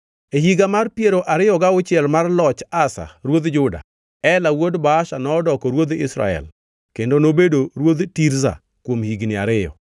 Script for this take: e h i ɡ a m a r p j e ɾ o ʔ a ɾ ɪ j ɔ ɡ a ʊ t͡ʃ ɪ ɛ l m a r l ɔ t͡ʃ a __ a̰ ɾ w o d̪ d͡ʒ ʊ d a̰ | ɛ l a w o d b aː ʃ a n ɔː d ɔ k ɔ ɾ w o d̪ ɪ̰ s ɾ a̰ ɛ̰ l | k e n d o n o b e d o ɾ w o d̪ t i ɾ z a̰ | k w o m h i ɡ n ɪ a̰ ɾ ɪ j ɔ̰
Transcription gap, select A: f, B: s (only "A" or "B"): B